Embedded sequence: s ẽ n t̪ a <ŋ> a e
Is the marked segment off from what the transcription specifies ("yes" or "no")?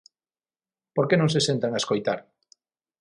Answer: no